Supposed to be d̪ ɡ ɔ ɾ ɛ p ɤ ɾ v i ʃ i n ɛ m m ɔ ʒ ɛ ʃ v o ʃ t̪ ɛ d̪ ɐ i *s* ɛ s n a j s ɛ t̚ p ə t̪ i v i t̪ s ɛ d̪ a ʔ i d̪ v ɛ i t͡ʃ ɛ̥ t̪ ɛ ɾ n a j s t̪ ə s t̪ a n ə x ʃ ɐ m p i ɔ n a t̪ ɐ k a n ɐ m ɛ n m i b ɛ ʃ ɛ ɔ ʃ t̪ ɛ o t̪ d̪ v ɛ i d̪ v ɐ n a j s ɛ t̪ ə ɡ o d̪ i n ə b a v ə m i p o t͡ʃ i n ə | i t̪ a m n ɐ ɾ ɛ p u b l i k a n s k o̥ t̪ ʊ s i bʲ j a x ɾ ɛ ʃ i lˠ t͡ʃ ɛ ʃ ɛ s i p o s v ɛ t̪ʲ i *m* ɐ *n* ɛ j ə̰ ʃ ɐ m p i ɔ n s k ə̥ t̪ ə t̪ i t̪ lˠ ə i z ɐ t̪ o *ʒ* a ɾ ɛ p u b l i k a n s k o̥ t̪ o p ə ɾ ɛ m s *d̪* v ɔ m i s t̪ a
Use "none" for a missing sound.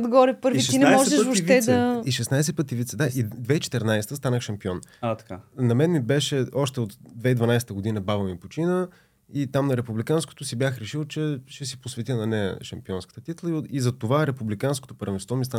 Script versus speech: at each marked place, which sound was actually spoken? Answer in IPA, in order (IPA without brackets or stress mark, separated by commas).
ʃ, n, n, v, t̪